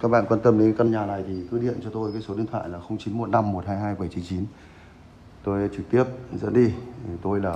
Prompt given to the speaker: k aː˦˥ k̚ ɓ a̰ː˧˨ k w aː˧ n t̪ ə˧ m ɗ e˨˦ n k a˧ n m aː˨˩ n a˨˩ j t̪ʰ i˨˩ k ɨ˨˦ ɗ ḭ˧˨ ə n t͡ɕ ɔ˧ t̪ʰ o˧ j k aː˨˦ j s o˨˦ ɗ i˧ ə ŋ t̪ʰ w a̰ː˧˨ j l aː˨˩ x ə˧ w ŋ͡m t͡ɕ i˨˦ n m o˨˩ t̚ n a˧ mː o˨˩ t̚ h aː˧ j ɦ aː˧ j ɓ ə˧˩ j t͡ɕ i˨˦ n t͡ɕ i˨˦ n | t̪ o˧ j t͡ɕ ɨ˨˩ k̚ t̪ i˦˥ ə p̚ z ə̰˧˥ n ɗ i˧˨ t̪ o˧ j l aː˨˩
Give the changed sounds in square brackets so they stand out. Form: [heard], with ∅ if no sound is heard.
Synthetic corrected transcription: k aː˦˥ k̚ ɓ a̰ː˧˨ k w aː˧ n t̪ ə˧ m ɗ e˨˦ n k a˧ n [ɲ] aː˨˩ n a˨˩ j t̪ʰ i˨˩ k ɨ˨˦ ɗ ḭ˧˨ ə n t͡ɕ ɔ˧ [t̪] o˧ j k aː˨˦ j s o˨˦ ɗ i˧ ə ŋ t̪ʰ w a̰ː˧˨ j l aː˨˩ x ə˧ w ŋ͡m t͡ɕ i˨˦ n m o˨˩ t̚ n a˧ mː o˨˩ t̚ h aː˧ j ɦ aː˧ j ɓ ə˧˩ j t͡ɕ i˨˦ n t͡ɕ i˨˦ n | t̪ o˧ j t͡ɕ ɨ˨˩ k̚ t̪ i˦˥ ə p̚ z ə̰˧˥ n ɗ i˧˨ t̪ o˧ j l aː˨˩